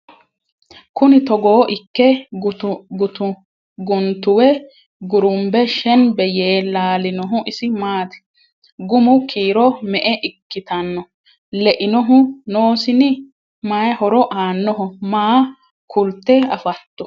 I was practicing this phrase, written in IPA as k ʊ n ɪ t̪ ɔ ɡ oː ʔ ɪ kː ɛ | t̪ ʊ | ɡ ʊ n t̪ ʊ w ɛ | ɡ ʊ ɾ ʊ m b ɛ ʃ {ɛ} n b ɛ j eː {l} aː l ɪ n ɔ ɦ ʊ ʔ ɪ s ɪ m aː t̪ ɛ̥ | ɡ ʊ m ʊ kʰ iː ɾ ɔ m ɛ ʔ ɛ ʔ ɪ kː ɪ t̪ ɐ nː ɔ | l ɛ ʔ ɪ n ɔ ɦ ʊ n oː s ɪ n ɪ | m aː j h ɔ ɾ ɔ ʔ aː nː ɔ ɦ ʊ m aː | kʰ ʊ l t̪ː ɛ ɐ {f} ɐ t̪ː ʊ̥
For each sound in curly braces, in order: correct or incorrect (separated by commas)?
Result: correct, correct, correct